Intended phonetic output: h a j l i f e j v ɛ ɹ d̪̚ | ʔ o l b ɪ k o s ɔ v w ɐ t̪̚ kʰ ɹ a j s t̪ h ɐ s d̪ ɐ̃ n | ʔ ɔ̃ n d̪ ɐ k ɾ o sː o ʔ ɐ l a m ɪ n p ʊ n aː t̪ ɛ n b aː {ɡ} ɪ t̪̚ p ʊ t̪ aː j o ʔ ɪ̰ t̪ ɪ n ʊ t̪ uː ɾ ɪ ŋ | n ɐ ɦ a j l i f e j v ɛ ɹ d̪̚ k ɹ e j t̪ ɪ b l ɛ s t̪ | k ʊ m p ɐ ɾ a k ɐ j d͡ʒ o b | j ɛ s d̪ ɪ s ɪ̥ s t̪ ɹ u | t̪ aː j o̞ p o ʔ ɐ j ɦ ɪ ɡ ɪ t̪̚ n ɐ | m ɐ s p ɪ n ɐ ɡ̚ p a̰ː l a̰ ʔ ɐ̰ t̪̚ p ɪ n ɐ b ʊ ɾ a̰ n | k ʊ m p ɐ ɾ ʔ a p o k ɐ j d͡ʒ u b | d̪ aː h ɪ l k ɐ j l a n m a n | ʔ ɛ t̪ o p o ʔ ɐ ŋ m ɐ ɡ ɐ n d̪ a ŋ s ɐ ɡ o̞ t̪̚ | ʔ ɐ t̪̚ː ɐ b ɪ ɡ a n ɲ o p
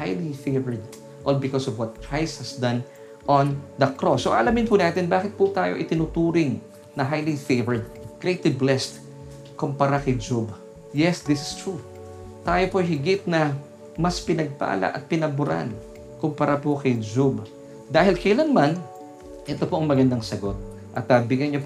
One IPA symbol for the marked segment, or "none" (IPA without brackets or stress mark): k